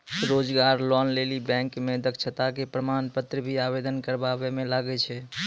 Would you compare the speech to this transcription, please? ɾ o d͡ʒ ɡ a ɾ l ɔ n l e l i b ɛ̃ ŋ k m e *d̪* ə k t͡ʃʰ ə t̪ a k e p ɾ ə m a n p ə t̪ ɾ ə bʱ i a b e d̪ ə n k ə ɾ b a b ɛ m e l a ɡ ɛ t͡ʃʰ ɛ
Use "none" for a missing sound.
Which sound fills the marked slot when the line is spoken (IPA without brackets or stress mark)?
d̪